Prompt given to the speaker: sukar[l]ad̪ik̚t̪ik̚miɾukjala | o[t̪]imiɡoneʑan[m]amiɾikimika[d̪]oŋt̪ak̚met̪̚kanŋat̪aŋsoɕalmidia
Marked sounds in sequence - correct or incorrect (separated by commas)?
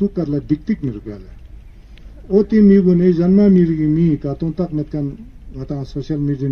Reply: correct, correct, correct, incorrect